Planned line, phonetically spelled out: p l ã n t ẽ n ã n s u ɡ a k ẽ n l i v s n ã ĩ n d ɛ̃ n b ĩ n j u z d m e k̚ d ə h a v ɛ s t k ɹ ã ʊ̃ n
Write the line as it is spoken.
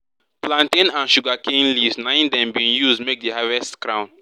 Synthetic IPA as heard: p l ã n t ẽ n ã n ʃ u ɡ a k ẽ n l i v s n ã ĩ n d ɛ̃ m b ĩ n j u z d m e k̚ d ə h a v ɛ s t k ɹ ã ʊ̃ n